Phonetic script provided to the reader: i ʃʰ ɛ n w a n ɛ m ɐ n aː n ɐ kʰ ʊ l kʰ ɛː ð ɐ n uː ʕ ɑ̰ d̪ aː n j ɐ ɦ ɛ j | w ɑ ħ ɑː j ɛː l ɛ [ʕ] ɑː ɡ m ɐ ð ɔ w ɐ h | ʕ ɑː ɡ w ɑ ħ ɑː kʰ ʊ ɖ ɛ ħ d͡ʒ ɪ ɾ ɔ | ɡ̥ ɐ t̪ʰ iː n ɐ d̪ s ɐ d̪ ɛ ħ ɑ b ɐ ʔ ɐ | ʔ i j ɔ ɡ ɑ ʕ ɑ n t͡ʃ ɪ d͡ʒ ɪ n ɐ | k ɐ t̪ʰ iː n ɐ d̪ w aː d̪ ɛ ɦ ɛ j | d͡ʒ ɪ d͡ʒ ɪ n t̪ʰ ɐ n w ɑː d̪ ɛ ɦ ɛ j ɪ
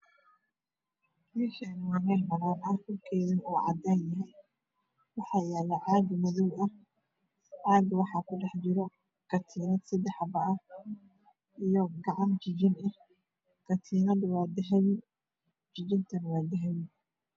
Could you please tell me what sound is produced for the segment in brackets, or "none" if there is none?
ʕ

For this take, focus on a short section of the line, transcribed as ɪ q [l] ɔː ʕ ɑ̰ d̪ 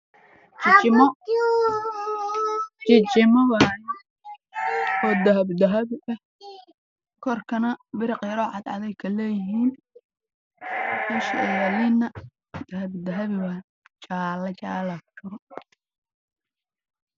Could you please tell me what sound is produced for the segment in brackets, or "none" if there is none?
ɾ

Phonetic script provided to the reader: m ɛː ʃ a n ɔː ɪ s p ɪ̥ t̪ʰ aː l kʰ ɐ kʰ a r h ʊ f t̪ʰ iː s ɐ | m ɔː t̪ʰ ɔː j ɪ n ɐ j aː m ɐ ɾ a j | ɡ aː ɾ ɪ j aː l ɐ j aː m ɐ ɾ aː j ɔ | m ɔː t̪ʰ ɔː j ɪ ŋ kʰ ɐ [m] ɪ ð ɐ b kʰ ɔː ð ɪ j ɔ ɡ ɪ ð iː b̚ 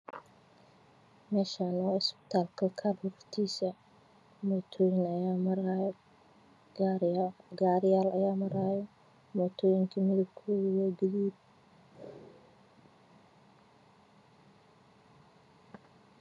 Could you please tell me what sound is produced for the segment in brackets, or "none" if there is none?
m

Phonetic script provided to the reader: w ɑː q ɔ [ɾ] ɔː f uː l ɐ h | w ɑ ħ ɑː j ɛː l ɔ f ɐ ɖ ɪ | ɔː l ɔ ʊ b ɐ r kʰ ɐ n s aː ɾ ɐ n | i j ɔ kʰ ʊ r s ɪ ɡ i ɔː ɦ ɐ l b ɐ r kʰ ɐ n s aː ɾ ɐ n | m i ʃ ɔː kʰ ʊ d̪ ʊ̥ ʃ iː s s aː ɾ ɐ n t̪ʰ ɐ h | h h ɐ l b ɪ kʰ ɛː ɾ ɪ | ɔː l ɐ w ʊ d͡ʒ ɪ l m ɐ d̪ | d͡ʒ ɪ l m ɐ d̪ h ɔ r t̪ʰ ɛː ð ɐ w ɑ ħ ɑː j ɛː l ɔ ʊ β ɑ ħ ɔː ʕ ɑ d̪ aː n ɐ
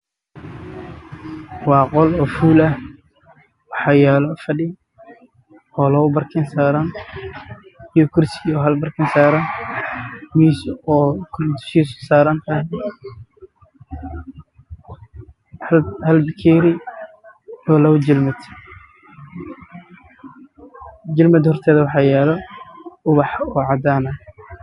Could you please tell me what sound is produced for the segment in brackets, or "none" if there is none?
l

